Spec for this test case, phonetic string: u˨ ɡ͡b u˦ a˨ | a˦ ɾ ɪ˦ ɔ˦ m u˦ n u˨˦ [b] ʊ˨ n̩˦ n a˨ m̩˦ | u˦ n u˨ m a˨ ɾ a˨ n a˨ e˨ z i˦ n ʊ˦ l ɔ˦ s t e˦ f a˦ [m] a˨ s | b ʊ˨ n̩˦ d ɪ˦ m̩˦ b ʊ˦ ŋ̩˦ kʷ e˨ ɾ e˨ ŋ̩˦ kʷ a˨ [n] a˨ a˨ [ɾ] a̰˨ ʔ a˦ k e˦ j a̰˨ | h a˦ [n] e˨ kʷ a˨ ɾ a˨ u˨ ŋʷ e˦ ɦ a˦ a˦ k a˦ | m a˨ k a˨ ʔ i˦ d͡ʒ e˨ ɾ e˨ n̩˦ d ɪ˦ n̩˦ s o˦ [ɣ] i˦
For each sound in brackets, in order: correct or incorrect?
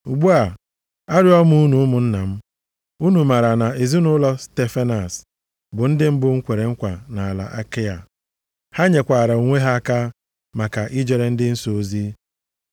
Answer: incorrect: m, incorrect: n, correct, incorrect: l, incorrect: ɲ, incorrect: z

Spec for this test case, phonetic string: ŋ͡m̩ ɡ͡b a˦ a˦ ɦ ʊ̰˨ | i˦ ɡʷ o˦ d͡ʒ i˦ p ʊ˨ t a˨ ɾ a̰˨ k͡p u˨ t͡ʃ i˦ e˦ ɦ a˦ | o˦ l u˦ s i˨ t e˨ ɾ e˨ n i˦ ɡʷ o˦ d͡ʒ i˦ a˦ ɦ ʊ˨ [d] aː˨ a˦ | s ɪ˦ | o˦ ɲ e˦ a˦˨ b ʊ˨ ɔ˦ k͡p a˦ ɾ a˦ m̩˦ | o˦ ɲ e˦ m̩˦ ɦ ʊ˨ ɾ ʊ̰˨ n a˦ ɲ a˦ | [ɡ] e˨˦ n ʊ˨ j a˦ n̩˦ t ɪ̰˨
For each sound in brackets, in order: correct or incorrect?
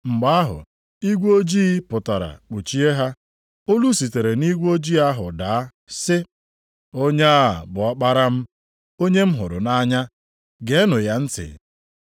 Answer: correct, correct

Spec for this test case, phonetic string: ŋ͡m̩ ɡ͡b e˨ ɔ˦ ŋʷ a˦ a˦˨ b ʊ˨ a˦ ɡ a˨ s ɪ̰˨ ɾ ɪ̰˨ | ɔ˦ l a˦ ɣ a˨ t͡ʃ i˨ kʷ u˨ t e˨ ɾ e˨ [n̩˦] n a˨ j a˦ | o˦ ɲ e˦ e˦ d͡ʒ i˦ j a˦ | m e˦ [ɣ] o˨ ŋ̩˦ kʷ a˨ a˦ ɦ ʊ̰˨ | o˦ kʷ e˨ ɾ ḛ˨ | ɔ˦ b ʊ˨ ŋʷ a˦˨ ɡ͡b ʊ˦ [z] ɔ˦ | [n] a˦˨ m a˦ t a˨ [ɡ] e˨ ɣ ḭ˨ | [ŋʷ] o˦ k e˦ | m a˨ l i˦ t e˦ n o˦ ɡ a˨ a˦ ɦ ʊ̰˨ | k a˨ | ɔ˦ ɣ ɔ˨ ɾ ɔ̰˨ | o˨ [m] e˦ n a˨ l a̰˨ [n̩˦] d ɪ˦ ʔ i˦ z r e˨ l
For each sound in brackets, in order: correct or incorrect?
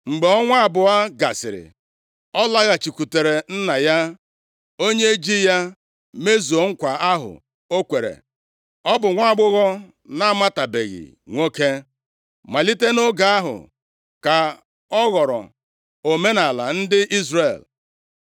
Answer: correct, incorrect: z, incorrect: ɣ, correct, incorrect: b, correct, correct, correct

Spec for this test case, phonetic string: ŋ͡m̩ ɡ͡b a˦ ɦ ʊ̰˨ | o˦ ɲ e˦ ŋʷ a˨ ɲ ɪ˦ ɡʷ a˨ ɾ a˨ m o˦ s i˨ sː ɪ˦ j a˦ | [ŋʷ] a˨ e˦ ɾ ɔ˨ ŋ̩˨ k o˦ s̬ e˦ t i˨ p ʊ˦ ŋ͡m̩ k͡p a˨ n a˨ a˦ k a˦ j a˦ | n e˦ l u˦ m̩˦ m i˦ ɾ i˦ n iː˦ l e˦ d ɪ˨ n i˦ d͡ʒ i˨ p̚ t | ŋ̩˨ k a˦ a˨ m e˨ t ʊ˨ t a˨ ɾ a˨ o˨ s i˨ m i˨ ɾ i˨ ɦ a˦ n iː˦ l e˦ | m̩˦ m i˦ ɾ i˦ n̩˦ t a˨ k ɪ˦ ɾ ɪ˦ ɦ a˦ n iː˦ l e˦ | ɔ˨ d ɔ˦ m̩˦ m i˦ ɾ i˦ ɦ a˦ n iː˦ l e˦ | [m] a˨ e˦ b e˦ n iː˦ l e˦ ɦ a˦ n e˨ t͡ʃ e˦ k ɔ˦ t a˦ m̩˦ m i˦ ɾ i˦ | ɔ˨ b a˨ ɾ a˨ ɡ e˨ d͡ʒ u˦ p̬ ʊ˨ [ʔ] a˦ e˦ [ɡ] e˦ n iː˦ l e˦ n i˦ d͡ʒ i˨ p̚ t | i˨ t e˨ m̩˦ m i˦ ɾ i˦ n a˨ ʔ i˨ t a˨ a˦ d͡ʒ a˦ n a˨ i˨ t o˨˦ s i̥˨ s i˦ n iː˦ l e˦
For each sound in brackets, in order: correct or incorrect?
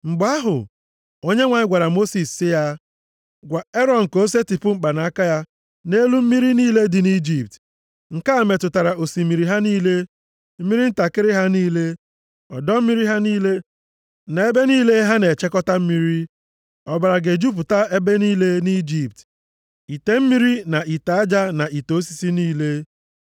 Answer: incorrect: ɡʷ, incorrect: n, incorrect: t, incorrect: b

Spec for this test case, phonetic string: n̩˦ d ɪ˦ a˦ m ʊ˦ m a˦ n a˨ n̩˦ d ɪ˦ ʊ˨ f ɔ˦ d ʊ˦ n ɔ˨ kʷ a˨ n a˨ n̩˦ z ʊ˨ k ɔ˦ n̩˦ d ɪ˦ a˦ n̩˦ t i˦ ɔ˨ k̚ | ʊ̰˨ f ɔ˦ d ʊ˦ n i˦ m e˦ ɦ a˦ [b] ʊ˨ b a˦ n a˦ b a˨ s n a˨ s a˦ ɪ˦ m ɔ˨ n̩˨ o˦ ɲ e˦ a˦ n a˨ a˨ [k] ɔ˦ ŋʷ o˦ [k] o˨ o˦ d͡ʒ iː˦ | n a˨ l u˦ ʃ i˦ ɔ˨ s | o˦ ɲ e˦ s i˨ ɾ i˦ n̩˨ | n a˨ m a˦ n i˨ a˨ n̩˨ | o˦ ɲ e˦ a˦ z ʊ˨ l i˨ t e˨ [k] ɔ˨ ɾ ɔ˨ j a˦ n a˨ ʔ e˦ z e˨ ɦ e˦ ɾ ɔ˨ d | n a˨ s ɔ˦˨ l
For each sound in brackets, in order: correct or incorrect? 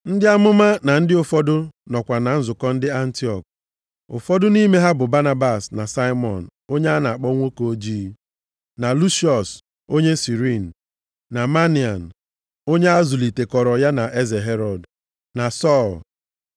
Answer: correct, incorrect: k͡p, correct, correct

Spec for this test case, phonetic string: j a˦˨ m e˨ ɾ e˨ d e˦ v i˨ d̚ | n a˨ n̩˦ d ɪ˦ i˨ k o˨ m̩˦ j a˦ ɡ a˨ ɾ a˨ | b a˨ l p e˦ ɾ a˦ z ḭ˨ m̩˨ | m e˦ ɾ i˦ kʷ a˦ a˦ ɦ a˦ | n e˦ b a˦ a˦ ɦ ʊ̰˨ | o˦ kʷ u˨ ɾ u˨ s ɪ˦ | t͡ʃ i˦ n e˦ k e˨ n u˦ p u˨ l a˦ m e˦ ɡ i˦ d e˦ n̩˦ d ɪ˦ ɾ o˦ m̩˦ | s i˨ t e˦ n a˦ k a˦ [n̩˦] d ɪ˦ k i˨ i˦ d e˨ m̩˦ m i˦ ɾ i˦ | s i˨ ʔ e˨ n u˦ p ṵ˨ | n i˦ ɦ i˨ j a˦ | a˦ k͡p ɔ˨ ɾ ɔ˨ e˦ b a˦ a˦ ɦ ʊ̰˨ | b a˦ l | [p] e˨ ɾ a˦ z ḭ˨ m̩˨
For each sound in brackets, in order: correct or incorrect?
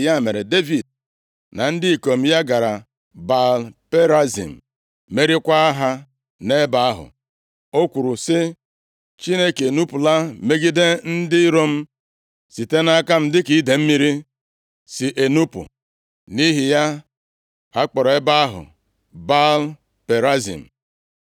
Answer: incorrect: m̩˦, correct

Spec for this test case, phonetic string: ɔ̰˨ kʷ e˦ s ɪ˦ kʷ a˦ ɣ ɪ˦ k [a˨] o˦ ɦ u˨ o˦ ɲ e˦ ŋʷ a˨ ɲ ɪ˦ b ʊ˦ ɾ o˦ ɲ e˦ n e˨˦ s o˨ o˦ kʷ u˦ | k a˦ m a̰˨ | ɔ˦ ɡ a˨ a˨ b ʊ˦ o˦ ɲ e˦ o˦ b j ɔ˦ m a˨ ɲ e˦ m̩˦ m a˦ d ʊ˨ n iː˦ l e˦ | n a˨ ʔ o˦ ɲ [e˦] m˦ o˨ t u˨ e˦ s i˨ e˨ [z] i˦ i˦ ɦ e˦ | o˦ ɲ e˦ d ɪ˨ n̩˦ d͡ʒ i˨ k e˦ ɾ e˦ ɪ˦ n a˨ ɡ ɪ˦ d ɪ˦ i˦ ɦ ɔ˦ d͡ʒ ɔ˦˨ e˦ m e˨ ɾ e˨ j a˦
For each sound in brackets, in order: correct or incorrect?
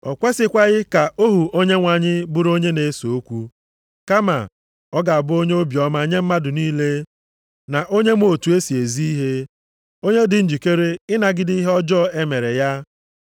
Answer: correct, correct, correct

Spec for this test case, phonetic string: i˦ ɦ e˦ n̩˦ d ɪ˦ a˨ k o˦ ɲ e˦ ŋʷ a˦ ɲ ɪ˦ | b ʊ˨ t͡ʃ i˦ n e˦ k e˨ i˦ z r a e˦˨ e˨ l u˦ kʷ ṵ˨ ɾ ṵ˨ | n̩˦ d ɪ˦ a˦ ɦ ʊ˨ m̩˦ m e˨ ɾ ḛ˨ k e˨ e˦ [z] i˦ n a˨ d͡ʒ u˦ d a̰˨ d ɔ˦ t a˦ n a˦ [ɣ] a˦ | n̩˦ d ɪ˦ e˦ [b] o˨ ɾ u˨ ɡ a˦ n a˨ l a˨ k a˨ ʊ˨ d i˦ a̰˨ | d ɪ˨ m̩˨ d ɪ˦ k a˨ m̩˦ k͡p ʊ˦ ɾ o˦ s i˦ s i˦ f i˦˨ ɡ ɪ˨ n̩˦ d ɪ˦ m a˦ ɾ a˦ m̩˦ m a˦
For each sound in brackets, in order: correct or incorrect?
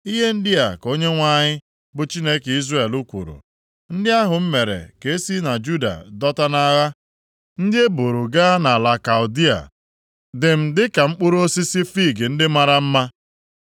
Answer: incorrect: s, correct, correct

